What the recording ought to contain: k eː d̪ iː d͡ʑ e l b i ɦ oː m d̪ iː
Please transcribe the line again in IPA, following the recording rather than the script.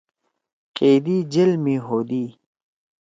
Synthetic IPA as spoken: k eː d̪ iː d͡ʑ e l m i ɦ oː d̪ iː